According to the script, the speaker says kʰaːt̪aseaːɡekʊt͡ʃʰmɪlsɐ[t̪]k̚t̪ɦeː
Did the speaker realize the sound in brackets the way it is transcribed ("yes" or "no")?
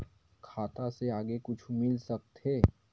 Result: no